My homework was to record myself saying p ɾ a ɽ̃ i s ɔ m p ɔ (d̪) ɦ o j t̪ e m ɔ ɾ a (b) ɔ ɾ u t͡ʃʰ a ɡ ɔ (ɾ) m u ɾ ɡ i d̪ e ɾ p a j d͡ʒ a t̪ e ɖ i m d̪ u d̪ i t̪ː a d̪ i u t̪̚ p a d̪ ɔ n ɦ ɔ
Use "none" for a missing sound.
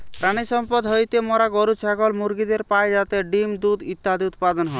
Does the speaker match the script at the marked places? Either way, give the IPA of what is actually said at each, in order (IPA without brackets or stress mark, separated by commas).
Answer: d̪, ɡ, l